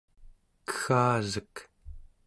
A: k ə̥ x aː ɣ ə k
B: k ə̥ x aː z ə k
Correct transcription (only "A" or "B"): B